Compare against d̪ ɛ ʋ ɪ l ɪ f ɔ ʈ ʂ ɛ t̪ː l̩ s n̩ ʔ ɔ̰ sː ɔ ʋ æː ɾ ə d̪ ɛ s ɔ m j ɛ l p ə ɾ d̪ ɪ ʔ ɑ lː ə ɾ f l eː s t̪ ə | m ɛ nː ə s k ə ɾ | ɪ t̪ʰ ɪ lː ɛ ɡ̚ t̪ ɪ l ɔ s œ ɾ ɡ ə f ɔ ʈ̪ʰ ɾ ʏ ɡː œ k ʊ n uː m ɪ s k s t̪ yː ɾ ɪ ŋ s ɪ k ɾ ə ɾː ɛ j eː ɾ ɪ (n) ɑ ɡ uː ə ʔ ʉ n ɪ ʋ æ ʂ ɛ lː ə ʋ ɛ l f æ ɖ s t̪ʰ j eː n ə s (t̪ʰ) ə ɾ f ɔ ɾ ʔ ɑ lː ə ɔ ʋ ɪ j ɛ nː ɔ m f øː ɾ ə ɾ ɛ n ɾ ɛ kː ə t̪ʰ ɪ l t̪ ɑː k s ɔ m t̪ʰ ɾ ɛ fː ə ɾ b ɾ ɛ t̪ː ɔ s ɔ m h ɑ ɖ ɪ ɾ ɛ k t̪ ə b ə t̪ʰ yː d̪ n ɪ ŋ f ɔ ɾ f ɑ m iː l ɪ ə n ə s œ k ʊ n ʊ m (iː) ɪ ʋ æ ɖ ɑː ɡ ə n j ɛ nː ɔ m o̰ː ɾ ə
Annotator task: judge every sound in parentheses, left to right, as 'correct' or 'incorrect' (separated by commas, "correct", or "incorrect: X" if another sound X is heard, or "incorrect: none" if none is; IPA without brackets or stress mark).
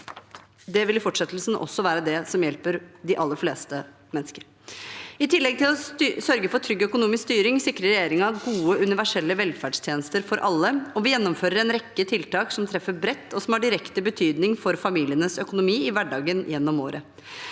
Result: incorrect: ŋ, incorrect: t̪, correct